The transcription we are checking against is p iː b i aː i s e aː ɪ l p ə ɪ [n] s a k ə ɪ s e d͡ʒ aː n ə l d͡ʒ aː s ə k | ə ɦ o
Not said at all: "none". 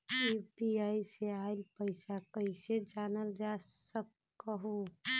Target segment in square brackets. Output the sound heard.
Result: none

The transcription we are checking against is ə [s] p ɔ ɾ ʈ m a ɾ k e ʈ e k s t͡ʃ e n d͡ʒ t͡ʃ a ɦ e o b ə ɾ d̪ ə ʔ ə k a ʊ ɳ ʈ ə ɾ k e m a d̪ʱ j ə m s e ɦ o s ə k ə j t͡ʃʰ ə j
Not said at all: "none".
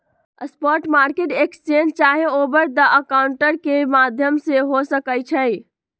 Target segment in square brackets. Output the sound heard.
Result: s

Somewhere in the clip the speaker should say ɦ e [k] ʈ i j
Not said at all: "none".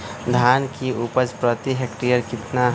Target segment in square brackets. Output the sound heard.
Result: k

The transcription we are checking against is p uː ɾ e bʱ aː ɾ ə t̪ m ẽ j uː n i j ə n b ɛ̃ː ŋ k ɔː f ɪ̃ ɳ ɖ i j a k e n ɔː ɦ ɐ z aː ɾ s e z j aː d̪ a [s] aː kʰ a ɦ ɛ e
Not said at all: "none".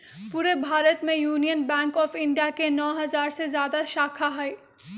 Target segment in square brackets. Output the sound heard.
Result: ʃ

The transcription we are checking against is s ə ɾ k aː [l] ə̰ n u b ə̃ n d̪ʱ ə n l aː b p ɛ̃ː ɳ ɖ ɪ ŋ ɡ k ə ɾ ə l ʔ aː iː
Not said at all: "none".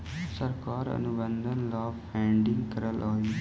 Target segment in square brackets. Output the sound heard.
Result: ɾ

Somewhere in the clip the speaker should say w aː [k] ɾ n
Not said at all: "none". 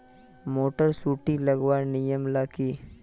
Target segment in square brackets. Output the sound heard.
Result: none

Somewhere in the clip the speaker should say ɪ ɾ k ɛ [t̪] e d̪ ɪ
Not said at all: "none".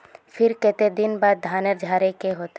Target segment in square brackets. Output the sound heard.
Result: t̪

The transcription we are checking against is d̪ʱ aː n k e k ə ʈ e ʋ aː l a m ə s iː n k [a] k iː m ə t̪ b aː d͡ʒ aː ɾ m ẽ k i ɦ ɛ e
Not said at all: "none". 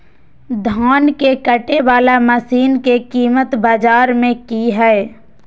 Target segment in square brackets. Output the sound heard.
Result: e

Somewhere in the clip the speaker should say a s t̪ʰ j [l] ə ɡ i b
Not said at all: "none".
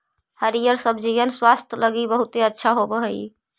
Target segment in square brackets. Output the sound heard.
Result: l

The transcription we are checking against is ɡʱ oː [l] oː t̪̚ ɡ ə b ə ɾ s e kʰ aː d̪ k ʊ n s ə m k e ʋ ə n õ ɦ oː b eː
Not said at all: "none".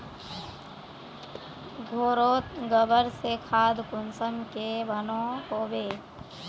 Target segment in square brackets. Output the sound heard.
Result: ɾ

